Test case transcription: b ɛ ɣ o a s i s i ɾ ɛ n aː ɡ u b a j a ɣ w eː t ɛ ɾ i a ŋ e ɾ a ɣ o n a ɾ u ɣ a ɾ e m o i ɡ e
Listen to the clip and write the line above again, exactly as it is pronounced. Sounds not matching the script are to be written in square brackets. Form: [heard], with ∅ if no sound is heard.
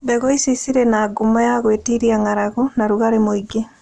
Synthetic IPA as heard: b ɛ ɣ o [i] s i s i ɾ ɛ n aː ɡ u [m] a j a ɣ w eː t [i] ɾ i a ŋ [a] ɾ a ɣ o n a ɾ u ɣ a ɾ e m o i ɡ e